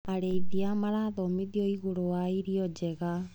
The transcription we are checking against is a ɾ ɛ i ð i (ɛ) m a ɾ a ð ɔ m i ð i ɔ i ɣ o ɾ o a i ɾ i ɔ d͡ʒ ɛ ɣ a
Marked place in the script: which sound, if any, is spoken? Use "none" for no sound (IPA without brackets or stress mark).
a